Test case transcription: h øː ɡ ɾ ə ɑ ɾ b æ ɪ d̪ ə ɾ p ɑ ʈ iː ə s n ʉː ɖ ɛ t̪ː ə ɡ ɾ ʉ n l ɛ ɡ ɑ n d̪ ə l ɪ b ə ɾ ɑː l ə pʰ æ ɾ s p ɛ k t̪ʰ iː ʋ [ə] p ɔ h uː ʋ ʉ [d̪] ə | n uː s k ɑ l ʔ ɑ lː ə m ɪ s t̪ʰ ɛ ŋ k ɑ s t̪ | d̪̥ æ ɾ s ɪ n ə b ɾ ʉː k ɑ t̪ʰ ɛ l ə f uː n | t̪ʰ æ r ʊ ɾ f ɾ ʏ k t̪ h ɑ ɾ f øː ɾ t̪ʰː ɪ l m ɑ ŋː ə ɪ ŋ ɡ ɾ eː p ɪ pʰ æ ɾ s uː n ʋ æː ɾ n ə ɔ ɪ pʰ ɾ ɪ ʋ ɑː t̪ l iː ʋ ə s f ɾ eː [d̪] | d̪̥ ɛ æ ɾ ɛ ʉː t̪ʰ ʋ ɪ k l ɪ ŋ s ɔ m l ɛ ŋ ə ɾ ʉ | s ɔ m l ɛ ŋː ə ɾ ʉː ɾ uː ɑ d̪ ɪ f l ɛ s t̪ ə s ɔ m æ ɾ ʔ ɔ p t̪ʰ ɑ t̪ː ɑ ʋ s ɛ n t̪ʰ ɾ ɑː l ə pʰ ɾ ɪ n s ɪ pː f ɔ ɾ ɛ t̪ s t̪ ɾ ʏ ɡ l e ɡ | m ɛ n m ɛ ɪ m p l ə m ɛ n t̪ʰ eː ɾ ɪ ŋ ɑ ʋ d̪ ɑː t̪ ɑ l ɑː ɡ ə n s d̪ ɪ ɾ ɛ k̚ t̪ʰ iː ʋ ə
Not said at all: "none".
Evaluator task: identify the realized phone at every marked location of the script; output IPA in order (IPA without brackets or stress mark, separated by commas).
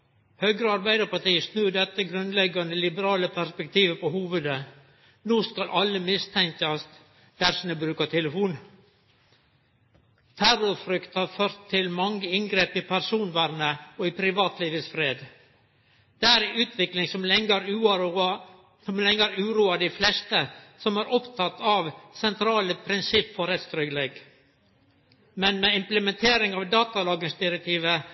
ə, d̪, d̪